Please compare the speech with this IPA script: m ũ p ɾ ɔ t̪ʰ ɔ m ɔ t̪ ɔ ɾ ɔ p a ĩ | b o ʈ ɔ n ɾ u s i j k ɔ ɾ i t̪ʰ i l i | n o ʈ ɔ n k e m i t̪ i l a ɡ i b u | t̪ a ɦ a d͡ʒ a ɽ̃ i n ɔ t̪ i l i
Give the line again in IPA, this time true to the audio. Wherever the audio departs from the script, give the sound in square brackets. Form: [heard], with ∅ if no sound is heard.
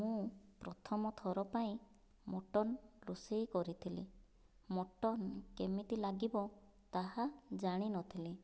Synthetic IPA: m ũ p ɾ ɔ t̪ʰ ɔ m ɔ [t̪ʰ] ɔ ɾ ɔ p a ĩ | [m] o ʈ ɔ n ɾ u s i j k ɔ ɾ i t̪ʰ i l i | [m] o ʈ ɔ n k e m i t̪ i l a ɡ i b [ɔ] | t̪ a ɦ a d͡ʒ a ɽ̃ i n ɔ [t̪ʰ] i l i